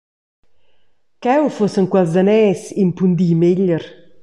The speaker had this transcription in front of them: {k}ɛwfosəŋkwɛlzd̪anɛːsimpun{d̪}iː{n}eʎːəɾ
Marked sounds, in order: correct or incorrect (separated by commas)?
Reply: correct, correct, incorrect